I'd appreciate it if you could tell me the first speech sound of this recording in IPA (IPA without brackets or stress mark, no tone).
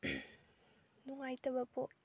n